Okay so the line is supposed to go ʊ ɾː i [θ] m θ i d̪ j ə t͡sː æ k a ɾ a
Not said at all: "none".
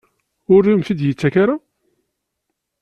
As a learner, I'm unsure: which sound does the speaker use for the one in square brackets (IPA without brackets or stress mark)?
none